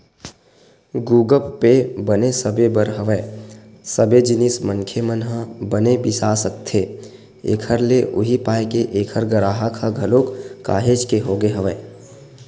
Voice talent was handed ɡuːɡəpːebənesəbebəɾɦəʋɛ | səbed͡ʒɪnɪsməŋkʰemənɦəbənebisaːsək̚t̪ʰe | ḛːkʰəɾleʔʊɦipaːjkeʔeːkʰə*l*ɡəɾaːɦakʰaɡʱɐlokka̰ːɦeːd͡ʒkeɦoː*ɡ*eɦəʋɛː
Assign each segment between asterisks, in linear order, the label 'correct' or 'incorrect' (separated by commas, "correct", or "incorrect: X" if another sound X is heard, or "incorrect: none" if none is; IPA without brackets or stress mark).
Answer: incorrect: ɾ, correct